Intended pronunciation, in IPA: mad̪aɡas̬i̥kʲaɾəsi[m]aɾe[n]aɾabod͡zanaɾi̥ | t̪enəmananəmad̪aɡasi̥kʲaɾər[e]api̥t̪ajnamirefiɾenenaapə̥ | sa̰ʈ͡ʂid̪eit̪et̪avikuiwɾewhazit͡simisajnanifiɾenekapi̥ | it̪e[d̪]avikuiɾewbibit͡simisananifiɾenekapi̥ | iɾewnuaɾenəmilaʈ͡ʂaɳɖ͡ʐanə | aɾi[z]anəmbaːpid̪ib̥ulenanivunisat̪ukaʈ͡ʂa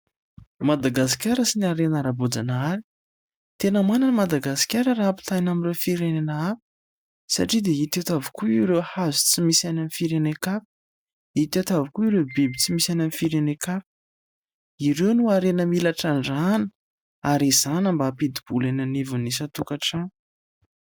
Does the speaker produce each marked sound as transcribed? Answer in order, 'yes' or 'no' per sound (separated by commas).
no, yes, no, no, yes